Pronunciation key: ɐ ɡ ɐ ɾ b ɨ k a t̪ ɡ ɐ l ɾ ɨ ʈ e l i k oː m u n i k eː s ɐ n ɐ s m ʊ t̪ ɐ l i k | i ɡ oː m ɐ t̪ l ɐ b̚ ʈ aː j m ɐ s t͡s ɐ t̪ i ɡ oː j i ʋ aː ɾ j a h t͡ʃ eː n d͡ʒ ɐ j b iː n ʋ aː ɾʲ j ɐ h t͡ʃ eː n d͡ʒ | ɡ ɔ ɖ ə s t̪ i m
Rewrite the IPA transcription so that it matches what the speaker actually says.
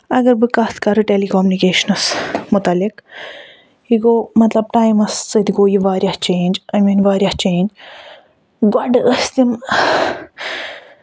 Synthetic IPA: ɐ ɡ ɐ ɾ b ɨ k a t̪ k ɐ ɾ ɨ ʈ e l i k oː m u n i k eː ʃ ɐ n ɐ s m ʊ t̪ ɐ l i k | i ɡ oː m ɐ t̪ l ɐ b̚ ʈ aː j m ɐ s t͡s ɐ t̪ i ɡ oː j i ʋ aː ɾ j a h t͡ʃ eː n d͡ʒ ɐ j m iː n ʋ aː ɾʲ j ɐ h t͡ʃ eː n d͡ʒ | ɡ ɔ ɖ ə s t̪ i m

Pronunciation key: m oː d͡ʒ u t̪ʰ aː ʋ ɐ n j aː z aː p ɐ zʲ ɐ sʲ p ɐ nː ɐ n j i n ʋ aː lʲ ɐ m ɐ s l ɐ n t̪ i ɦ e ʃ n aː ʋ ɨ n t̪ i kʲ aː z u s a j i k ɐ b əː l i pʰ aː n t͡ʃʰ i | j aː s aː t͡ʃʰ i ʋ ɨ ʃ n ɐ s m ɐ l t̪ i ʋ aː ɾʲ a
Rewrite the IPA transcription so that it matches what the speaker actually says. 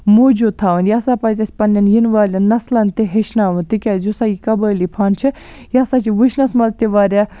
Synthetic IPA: m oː d͡ʒ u t̪ʰ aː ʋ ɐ n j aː s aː p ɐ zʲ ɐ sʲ p ɐ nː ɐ n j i n ʋ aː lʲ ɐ n ɐ s l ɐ n t̪ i ɦ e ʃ n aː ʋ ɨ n t̪ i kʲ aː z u s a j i k ɐ b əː l i pʰ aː n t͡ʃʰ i | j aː s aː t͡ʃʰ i ʋ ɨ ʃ n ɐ s m ɐ l t̪ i ʋ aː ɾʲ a

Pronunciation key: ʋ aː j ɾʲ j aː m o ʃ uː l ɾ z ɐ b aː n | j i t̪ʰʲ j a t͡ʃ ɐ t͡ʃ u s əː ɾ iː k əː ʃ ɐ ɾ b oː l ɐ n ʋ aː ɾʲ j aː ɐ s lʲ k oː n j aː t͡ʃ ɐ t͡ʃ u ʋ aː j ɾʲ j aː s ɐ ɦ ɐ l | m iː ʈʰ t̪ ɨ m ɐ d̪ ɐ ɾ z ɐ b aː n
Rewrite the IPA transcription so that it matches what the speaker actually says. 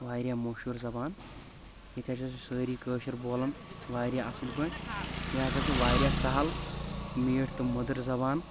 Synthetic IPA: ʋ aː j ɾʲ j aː m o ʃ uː ɾ z ɐ b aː n | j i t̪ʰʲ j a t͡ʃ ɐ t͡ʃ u s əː ɾ iː k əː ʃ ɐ ɾ b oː l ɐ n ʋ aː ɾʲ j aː ɐ s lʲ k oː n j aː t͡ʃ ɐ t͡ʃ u ʋ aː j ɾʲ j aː s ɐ ɦ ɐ l | m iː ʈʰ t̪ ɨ m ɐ d̪ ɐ ɾ z ɐ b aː n

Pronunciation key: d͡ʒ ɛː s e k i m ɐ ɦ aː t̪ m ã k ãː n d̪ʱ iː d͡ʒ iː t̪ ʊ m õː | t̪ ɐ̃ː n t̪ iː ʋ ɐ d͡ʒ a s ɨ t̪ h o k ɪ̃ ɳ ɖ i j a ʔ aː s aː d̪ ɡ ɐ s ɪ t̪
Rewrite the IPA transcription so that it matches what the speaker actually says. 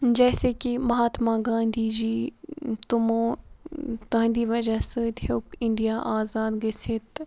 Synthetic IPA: d͡ʒ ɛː s e k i m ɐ ɦ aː t̪ m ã ɡ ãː n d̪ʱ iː d͡ʒ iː t̪ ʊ m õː | t̪ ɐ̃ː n d̪ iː ʋ ɐ d͡ʒ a s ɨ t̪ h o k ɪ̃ ɳ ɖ i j a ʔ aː z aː d̪ ɡ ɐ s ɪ t̪

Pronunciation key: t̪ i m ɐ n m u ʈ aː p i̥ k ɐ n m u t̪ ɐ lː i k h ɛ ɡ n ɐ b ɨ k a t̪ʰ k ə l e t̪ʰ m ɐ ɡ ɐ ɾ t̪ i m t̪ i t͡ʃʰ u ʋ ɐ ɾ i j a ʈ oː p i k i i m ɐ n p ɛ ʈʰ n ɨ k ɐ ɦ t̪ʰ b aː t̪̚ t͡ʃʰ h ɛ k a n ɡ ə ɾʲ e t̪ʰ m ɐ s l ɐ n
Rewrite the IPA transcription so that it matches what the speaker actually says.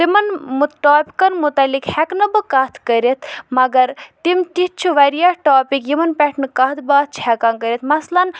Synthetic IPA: t̪ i m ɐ n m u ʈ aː p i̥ k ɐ n m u t̪ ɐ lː i k h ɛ k n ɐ b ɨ k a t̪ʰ k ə ɾ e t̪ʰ m ɐ ɡ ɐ ɾ t̪ i m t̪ i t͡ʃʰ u ʋ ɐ ɾ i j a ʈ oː p i k j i m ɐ n p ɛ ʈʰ n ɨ k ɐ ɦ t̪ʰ b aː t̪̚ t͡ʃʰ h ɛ k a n k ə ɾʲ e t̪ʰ m ɐ s l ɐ n

